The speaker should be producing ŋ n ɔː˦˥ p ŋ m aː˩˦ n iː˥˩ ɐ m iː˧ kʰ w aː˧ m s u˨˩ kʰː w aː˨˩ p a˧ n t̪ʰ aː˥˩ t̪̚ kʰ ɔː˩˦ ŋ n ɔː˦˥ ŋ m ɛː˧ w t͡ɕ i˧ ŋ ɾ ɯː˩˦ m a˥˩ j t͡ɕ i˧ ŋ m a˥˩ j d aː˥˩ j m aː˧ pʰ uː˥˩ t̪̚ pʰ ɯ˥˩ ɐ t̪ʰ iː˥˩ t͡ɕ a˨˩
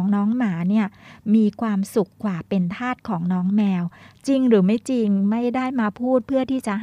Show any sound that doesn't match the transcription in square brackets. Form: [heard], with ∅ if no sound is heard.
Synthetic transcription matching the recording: ŋ n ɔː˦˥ [∅] ŋ m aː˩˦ n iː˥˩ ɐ m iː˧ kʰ w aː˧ m s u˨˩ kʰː w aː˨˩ p [e˧] n t̪ʰ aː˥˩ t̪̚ kʰ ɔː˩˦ ŋ n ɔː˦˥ ŋ m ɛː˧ w t͡ɕ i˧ ŋ ɾ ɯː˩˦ m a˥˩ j t͡ɕ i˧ ŋ m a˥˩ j d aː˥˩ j m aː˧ pʰ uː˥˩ t̪̚ pʰ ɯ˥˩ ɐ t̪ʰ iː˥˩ t͡ɕ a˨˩